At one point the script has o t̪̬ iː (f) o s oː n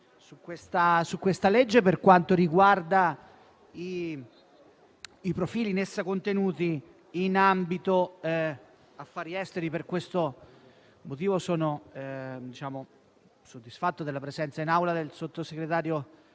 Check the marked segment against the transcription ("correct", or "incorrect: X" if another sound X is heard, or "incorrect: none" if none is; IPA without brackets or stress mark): incorrect: v